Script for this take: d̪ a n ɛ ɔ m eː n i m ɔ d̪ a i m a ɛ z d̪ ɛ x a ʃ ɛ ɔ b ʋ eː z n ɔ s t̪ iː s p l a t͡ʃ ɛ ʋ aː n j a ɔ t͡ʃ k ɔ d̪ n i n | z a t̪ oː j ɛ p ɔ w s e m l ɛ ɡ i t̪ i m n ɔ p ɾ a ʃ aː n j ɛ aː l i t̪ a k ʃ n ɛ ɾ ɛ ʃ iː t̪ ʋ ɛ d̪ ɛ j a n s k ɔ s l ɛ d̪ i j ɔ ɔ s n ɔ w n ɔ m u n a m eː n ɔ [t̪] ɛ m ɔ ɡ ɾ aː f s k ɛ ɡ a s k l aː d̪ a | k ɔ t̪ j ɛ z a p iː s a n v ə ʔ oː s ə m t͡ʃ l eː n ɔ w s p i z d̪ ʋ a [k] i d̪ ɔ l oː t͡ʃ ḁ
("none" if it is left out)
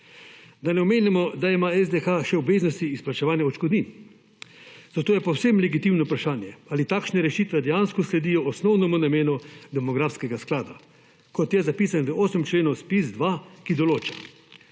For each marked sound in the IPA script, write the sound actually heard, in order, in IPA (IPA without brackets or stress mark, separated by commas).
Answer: d̪, k